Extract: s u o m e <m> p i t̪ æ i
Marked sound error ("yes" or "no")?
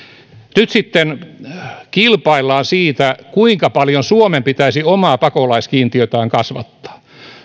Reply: no